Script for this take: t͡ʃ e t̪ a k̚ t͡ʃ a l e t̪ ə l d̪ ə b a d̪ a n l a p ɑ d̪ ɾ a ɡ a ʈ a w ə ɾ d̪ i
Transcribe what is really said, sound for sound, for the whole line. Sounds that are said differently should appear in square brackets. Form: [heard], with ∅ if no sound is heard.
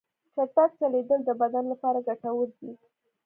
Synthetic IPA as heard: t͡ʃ [a] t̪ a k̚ t͡ʃ a l e [d̪] ə l d̪ ə b a d̪ a n l a p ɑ [∅] ɾ a ɡ a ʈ a w ə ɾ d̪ i